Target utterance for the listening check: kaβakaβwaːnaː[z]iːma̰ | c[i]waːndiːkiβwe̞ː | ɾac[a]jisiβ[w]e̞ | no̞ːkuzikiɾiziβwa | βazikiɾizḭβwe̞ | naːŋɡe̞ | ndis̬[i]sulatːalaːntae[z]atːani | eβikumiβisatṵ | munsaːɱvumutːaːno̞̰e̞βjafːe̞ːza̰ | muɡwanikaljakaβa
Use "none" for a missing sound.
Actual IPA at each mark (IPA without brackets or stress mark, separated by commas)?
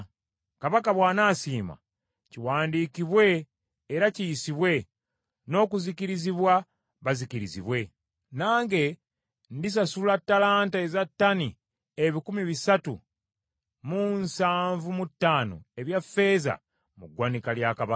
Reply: s, i, i, w, a, z